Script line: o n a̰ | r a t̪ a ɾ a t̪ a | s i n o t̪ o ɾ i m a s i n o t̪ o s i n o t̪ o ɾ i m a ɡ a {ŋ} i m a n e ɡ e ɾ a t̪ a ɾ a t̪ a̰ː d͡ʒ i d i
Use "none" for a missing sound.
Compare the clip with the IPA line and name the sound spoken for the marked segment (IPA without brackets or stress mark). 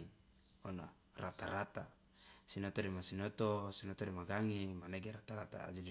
ŋ